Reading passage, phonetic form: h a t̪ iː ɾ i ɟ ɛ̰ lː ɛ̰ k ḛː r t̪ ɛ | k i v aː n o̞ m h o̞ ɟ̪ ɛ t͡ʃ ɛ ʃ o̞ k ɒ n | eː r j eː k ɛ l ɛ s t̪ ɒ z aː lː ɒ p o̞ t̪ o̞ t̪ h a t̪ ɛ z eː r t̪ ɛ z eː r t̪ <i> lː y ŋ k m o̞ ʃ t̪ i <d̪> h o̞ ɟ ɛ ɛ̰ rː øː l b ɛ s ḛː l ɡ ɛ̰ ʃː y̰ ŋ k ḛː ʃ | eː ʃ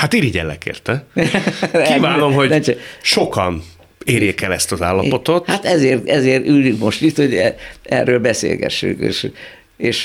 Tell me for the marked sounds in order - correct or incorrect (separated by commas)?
incorrect, incorrect